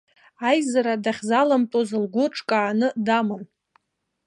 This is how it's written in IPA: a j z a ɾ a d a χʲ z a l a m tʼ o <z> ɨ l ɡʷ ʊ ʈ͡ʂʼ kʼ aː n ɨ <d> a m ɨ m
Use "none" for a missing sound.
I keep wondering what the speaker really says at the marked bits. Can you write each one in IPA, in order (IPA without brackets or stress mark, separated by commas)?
z, d